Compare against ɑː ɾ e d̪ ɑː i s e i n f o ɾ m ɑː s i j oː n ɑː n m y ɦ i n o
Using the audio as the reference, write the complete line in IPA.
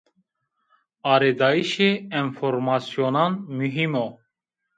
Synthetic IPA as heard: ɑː ɾ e d̪ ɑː i ʃ e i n f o ɾ m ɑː s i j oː n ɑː n m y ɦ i m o